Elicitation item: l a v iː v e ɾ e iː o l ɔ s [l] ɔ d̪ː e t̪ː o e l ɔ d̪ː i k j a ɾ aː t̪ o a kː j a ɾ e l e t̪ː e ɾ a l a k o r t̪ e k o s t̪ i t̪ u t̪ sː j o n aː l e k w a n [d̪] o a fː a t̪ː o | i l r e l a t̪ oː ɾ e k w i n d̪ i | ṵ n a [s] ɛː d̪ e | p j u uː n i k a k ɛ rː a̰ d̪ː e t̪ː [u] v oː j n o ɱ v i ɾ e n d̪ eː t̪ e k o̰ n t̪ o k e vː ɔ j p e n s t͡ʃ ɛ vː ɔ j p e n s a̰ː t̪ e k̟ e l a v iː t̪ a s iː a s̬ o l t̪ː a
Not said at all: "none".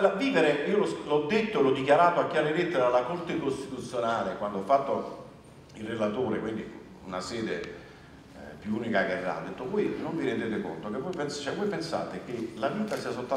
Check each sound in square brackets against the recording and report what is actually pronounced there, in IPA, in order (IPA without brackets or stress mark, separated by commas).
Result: l, d̪, s, o